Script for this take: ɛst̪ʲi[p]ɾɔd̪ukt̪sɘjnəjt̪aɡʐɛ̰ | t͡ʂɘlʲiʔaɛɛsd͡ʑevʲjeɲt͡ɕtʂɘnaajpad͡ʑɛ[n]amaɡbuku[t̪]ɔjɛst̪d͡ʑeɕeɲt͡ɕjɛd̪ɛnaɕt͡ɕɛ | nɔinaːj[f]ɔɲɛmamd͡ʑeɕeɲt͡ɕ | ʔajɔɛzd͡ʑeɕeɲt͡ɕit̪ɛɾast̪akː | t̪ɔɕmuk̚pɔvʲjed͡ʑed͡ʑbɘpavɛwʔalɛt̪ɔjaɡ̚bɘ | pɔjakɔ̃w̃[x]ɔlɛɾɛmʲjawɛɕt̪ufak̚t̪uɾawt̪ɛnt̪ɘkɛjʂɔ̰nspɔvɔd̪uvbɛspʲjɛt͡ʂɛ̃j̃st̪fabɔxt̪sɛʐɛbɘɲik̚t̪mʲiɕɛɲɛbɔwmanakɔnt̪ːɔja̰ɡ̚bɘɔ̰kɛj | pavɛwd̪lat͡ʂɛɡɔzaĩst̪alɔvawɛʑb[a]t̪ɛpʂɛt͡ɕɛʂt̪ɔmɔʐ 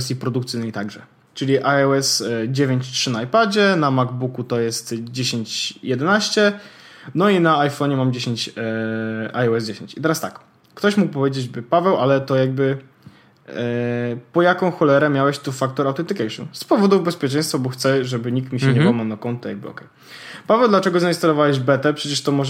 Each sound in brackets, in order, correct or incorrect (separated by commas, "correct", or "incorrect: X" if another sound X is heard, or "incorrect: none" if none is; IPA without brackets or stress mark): correct, correct, correct, correct, correct, incorrect: ɛ